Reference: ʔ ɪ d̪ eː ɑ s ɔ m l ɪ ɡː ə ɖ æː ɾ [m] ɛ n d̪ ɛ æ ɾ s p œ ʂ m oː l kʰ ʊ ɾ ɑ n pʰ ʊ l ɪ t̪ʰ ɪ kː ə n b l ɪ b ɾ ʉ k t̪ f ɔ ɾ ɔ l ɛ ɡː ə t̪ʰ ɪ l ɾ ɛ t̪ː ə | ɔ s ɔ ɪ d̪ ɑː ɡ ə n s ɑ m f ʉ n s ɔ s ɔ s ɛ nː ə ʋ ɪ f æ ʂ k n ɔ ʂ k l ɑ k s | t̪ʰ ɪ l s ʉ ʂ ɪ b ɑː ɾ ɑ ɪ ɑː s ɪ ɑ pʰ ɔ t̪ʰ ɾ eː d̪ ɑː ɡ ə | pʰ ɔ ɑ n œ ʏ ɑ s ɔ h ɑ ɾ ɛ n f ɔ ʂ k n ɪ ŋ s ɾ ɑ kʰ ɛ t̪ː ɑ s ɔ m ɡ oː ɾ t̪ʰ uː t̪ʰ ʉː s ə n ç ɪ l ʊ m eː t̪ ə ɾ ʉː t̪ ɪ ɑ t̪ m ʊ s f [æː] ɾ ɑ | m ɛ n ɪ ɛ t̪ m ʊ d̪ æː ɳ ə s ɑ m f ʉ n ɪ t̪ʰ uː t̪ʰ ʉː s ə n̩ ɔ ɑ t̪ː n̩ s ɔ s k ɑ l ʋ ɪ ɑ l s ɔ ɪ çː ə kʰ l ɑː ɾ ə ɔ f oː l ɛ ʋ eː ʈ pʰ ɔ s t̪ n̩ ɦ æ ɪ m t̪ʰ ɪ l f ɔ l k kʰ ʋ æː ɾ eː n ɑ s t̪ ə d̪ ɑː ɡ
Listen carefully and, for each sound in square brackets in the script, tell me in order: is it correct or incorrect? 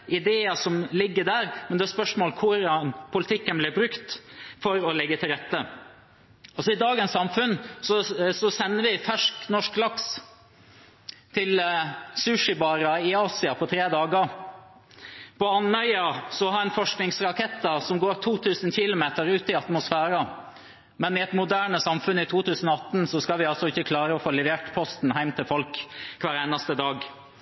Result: correct, correct

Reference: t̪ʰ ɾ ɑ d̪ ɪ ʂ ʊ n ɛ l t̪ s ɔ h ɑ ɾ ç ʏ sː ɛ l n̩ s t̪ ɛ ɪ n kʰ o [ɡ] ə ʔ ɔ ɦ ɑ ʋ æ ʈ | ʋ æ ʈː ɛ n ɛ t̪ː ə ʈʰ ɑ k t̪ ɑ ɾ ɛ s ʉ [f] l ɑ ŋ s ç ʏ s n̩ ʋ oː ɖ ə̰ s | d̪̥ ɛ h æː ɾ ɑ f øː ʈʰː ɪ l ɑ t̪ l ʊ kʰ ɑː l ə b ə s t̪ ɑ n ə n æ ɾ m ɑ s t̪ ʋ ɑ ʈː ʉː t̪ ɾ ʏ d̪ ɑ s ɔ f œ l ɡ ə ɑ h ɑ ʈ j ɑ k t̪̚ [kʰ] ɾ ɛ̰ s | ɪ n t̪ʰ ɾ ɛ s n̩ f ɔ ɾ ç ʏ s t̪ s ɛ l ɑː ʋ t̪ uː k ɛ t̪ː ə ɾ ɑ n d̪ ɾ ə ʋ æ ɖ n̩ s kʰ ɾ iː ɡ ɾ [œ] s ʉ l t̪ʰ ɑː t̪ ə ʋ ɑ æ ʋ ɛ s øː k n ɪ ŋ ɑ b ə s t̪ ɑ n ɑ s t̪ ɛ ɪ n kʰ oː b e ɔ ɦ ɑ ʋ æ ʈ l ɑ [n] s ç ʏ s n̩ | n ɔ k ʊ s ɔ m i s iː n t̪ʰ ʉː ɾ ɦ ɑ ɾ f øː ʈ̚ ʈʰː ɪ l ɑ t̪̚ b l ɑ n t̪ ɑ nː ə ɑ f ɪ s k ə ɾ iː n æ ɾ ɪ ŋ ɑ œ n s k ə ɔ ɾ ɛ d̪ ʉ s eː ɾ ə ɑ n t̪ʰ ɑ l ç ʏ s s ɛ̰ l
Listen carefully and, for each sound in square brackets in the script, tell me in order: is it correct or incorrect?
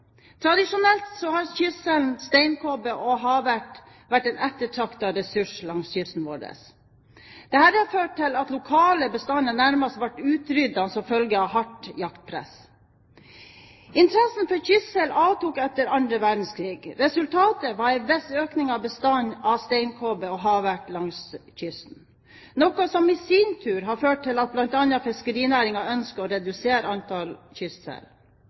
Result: incorrect, incorrect, incorrect, incorrect, incorrect

